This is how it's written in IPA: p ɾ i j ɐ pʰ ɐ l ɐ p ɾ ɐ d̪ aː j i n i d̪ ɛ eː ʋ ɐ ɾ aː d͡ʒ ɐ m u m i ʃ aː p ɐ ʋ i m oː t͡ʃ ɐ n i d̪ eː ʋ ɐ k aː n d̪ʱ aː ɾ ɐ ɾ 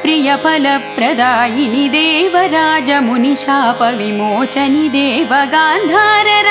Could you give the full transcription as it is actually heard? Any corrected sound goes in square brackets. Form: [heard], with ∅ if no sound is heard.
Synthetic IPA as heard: p ɾ i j ɐ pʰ ɐ l ɐ p ɾ ɐ d̪ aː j i n i d̪ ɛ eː ʋ ɐ ɾ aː d͡ʒ ɐ m u [n] i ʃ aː p ɐ ʋ i m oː t͡ʃ ɐ n i d̪ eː ʋ ɐ [ɡ] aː n d̪ʱ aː ɾ ɐ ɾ